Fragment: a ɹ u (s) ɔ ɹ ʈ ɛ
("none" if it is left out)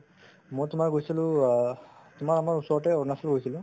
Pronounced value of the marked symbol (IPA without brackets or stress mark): s